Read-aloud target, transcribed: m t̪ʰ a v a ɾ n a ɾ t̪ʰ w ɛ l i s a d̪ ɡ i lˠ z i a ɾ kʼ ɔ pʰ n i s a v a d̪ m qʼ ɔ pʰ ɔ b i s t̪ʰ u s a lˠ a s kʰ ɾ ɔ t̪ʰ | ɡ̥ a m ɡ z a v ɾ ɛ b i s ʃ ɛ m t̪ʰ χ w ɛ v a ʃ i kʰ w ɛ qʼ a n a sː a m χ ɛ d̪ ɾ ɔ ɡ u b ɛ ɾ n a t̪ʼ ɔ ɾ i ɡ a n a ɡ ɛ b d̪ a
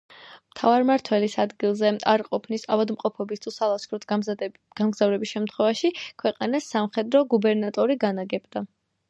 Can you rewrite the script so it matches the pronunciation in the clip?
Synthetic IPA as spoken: m t̪ʰ a v a ɾ m a ɾ t̪ʰ w ɛ l i s a d̪ ɡ i lˠ z ɛ a ɾ qʼ ɔ pʰ n i s a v a d̪ m qʼ ɔ pʰ ɔ b i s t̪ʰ u s a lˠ a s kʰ ɾ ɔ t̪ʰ | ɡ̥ a m ɡ z a v ɾ ɛ b i s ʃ ɛ m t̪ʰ χ w ɛ v a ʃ i kʰ w ɛ qʼ a n a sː a m χ ɛ d̪ ɾ ɔ ɡ u b ɛ ɾ n a t̪ʼ ɔ ɾ i ɡ a n a ɡ ɛ b d̪ a

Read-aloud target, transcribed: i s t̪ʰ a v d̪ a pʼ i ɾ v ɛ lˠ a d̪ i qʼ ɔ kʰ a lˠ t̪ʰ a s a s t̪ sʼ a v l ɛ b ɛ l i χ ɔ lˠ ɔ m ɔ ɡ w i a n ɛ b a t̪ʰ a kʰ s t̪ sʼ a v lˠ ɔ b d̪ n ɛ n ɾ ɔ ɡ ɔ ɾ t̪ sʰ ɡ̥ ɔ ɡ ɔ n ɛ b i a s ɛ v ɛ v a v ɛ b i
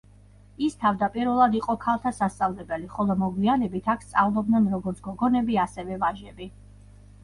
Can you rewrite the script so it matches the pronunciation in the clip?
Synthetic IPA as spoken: i s t̪ʰ a v d̪ a pʼ i ɾ v ɛ lˠ a d̪ i qʼ ɔ kʰ a lˠ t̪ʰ a s a s t̪ sʼ a v l ɛ b ɛ l i χ ɔ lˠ ɔ m ɔ ɡ w i a n ɛ b i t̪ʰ a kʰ s t̪ sʼ a v lˠ ɔ b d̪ n ɛ n ɾ ɔ ɡ ɔ ɾ t̪ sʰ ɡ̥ ɔ ɡ ɔ n ɛ b i a s ɛ v ɛ v a ʒ ɛ b i

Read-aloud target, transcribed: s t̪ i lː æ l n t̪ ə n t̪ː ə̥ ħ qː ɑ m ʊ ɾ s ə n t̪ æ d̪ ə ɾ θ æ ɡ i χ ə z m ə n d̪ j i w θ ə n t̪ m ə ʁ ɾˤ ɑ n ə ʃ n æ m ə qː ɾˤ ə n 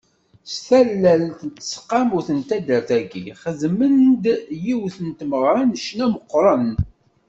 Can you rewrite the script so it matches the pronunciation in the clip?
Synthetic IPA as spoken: s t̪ æ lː æ l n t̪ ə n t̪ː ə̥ s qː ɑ m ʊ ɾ θ ə n t̪ æ d̪ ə ɾ θ æ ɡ i χ ə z m ə n d̪ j i w θ ə n t̪ m ə ʁ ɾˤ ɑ n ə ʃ n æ m ə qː ɾˤ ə n

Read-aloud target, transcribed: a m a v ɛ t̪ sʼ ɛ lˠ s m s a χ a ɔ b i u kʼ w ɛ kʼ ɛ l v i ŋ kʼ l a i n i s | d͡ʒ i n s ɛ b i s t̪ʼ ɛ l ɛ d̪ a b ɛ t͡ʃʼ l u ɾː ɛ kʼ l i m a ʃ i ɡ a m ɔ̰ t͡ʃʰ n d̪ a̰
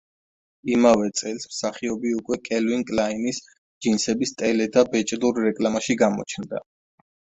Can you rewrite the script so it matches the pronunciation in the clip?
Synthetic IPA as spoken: i m a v ɛ t̪ sʼ ɛ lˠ s m s a χ i ɔ b i u kʼ w ɛ kʼ ɛ l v i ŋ kʼ l a i n i s | d͡ʒ i n s ɛ b i s t̪ʼ ɛ l ɛ d̪ a b ɛ t͡ʃʼ l u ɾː ɛ kʼ l a m a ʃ i ɡ a m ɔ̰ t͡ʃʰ n d̪ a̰

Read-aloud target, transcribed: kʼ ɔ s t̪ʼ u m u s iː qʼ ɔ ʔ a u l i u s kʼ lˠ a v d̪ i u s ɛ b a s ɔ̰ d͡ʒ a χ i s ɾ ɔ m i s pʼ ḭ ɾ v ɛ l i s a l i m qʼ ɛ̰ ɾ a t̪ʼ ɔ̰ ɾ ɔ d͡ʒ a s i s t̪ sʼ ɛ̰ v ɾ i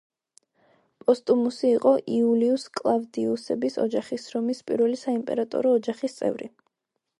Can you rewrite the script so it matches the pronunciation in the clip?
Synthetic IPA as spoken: pʼ ɔ s t̪ʼ u m u s iː qʼ ɔ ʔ i u l i u s kʼ lˠ a v d̪ i u s ɛ b i s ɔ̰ d͡ʒ a χ i s ɾ ɔ m i s pʼ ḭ ɾ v ɛ l i s a i m pʼ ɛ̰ ɾ a t̪ʼ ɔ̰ ɾ ɔː d͡ʒ a χ i s t̪ sʼ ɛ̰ v ɾ i

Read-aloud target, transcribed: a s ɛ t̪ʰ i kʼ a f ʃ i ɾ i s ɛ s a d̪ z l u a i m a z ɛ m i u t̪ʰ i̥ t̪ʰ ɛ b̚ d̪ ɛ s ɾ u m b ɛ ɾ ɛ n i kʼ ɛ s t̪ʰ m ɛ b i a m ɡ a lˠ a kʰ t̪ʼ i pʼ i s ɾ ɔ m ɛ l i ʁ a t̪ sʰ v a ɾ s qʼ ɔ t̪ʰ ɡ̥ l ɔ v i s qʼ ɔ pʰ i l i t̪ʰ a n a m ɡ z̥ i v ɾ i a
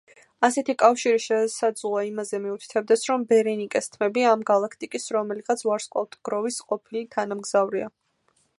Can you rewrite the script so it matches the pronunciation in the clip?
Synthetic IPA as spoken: a s ɛ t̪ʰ i kʼ a f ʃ i ɾ i ʃ ɛ s a d̪ z l u a i m a z ɛ m i u t̪ʰ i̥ t̪ʰ ɛ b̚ d̪ ɛ s ɾ ɔ m b ɛ ɾ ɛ n i kʼ ɛ s t̪ʰ m ɛ b i a m ɡ a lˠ a kʰ t̪ʼ i kʼ i s ɾ ɔ m ɛ l i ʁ a t̪ sʰ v a ɾ s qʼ ɔ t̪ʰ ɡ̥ ɾ ɔ v i s qʼ ɔ pʰ i l i t̪ʰ a n a m ɡ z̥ a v ɾ i a

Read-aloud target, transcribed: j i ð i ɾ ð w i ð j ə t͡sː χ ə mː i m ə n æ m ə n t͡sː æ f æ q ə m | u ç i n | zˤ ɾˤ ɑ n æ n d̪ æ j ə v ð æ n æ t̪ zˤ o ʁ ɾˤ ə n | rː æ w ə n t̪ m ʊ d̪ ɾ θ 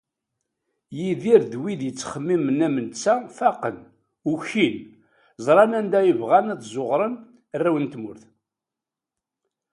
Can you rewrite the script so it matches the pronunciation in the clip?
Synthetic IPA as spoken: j i ð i ɾ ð w i ð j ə t͡sː χ ə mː i m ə n æ m ə n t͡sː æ f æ q ə n | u ç i n | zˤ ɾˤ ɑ n æ n d̪ æ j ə v ʁ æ n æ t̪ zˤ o ʁ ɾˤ ə n | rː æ w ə n t̪ m ʊ ɾ θ

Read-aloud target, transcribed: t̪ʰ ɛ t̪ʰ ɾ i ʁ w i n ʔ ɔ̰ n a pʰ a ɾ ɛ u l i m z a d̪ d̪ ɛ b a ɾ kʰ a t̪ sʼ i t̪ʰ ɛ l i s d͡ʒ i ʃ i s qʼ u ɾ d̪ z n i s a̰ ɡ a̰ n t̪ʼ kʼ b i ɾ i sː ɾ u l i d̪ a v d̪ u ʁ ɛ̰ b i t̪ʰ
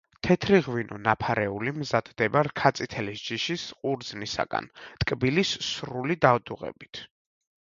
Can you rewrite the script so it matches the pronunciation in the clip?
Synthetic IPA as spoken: t̪ʰ ɛ t̪ʰ ɾ i ʁ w i n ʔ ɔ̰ n a pʰ a ɾ ɛ u l i m z a d̪ d̪ ɛ b a ɾ kʰ a t̪ sʼ i t̪ʰ ɛ l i s d͡ʒ i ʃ i s qʼ u ɾ d̪ z n i s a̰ ɡ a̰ n t̪ʼ kʼ b i l i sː ɾ u l i d̪ a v d̪ u ʁ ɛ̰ b i t̪ʰ

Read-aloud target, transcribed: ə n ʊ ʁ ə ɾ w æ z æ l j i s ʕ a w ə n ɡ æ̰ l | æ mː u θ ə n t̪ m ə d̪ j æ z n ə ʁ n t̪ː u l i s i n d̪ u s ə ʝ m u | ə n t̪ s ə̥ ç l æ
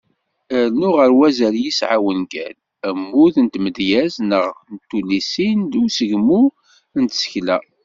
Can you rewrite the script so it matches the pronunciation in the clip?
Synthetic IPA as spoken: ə n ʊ ʁ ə ɾ w æ z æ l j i s ʕ a w ə n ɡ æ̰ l | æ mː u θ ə n t̪ m ə d̪ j æ z n ə ʁ n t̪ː u l i s i n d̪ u s ə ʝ m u | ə n t̪ s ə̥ ç l æ

